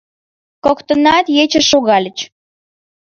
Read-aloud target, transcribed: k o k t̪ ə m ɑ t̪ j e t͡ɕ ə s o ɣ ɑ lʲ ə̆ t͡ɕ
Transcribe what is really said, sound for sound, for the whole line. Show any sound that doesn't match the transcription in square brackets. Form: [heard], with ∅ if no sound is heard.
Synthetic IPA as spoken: k o k t̪ ə [n] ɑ t̪ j e t͡ɕ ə [ʃ] o ɣ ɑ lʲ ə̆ t͡ɕ